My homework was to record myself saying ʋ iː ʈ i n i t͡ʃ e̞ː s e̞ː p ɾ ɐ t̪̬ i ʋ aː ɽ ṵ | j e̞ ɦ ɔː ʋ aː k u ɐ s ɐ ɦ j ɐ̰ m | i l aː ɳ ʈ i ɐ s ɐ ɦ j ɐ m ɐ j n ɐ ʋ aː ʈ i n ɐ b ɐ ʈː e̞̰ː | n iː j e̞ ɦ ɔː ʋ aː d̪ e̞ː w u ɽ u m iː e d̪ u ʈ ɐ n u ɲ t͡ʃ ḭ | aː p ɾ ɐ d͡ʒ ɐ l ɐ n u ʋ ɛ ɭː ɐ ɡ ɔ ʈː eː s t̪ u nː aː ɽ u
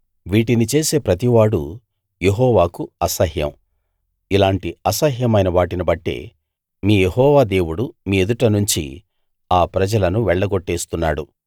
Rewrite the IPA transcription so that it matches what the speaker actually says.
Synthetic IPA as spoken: ʋ iː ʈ i n i t͡ʃ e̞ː s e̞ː p ɾ ɐ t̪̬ i ʋ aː ɽ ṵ | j e̞ ɦ ɔː ʋ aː k u ɐ s ɐ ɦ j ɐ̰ m | i l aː ɳ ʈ i ɐ s ɐ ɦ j ɐ m ɐ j n ɐ ʋ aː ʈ i n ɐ b ɐ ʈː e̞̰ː | m iː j e̞ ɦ ɔː ʋ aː d̪ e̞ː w u ɽ u m iː e d̪ u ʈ ɐ n u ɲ t͡ʃ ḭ | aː p ɾ ɐ d͡ʒ ɐ l ɐ n u ʋ ɛ ɭː ɐ ɡ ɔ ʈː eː s t̪ u nː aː ɽ u